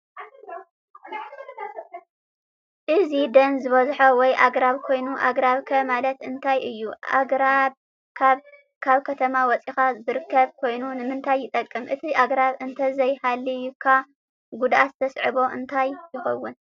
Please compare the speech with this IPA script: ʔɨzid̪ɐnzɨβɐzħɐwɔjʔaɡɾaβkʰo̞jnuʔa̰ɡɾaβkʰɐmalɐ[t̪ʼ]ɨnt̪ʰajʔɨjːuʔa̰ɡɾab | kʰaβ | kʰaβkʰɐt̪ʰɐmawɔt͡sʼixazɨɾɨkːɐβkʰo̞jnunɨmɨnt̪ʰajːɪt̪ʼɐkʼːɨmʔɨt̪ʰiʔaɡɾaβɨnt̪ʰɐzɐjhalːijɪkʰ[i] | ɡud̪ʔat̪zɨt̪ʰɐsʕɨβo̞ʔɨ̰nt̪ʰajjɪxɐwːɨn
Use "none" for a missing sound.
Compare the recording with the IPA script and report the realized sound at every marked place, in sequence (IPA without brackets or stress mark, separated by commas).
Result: t̪, a